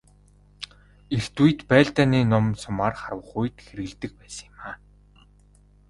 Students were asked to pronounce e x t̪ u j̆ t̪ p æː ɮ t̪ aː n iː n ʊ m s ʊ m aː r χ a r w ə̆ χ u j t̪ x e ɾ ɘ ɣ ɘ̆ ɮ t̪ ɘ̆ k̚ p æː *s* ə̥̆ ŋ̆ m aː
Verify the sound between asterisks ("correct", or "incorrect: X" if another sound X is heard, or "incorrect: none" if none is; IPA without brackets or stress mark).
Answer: correct